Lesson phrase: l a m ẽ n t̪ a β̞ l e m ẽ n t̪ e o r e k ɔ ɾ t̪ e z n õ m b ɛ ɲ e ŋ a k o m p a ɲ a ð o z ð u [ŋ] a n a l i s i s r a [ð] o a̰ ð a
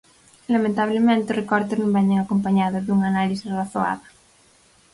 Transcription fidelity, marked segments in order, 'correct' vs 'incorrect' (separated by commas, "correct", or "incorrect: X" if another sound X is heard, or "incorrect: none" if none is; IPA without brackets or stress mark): correct, incorrect: θ